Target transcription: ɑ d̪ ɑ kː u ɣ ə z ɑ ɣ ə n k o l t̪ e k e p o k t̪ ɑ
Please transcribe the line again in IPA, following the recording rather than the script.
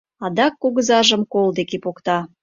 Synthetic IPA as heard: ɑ d̪ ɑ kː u ɣ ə z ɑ ʒ ə m k o l d̪ e k e p o k t̪ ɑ